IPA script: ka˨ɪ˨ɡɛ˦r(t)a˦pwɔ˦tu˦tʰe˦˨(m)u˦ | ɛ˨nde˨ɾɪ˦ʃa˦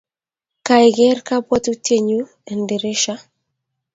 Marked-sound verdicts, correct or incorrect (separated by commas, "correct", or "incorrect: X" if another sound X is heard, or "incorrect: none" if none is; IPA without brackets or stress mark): incorrect: k, incorrect: ɲ